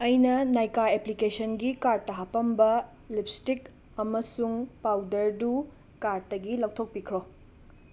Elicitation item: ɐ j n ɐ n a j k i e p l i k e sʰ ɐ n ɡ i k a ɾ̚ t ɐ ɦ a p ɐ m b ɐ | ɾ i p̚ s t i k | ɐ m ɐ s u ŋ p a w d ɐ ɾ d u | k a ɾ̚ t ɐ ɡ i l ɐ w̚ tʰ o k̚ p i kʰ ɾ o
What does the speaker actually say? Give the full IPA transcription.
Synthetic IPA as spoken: ɐ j n ɐ n a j k a e p l i k e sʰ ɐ n ɡ i k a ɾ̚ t ɐ ɦ a p ɐ m b ɐ | l i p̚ s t i k | ɐ m ɐ s u ŋ p a w d ɐ ɾ d u | k a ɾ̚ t ɐ ɡ i l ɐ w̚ tʰ o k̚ p i kʰ ɾ o